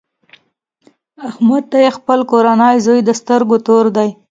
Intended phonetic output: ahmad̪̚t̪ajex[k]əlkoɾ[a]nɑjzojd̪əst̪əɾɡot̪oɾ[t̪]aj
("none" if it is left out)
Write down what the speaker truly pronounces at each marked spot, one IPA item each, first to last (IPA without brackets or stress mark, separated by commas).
p, a, d̪